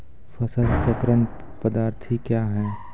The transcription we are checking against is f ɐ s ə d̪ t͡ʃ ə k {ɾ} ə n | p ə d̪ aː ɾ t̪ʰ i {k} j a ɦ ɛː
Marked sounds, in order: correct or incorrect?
correct, correct

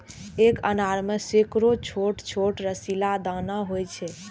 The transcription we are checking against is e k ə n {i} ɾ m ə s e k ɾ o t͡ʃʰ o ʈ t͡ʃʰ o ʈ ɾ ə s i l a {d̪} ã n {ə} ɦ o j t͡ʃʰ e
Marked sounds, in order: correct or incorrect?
incorrect, correct, incorrect

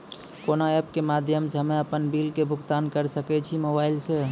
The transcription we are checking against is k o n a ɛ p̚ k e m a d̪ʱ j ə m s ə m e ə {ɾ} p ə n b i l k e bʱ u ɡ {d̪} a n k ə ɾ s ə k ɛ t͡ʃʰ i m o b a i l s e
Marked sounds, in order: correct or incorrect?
incorrect, incorrect

